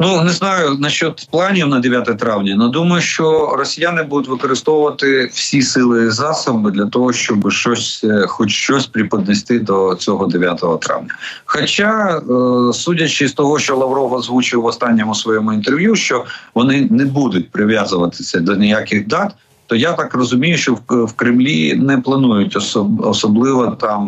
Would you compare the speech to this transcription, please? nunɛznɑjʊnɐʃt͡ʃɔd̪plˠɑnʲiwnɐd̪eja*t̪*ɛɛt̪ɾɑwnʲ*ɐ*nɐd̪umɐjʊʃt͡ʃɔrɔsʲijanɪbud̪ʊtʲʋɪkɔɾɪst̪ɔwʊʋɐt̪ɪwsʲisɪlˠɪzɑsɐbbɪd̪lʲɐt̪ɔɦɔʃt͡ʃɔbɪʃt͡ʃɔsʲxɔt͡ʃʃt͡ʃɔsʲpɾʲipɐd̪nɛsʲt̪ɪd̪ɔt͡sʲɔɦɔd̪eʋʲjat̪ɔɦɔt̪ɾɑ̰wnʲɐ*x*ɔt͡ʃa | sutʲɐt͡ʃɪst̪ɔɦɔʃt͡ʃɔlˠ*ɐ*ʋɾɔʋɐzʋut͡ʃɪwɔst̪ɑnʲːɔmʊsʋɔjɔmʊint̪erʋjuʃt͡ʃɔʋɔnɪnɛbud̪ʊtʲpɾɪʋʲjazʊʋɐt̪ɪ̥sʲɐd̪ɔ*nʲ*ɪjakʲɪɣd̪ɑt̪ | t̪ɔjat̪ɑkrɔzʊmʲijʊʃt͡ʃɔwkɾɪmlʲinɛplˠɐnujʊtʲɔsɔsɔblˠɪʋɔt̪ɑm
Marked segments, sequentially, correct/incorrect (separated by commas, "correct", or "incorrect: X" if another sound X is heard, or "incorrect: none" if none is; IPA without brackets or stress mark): correct, correct, correct, correct, correct